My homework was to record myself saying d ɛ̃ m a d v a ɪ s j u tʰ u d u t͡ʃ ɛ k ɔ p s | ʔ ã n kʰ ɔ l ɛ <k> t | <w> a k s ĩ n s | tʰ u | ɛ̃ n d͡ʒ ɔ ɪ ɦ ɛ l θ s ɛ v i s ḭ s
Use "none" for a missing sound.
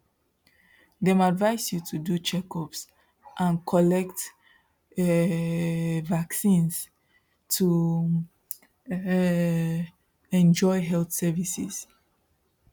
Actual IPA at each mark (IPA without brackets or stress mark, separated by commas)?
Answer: k, v